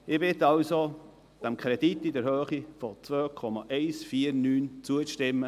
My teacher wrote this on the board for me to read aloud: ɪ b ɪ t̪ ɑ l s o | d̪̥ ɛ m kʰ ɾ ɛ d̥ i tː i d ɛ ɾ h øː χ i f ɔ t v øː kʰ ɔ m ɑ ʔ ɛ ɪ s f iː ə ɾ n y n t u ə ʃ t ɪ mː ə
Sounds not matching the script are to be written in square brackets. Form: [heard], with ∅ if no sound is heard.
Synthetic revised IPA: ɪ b ɪ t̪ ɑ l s o | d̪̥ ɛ m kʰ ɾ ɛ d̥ i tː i d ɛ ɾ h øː χ i f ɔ [t͡s] v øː kʰ ɔ m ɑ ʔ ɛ ɪ s f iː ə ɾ n [yː] n [t͡s] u ə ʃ t ɪ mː ə